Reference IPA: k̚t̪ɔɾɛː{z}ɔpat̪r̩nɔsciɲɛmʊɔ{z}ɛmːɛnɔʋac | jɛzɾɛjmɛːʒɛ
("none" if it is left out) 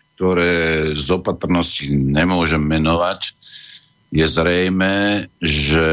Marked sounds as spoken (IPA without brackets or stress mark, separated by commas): z, ʒ